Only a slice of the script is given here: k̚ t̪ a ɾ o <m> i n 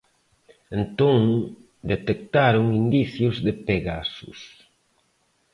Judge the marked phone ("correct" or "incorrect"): incorrect